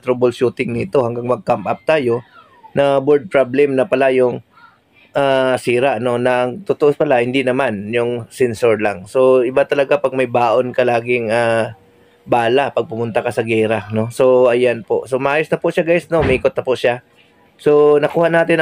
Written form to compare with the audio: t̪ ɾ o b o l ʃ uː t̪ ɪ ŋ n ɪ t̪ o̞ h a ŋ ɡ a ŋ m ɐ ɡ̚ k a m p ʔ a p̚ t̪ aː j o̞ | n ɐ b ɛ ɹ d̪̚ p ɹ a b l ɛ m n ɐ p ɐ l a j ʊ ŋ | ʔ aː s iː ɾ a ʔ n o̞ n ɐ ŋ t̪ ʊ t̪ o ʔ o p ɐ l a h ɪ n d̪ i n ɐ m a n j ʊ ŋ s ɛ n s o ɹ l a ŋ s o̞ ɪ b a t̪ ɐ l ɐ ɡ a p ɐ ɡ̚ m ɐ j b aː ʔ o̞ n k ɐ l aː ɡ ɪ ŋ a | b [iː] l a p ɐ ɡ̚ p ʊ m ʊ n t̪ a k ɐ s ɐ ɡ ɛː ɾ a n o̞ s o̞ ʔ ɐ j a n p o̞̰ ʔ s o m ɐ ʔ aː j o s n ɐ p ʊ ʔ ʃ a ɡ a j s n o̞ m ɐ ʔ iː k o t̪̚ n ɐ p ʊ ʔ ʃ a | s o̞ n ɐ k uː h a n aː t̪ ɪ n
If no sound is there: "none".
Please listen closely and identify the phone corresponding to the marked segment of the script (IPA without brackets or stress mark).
aː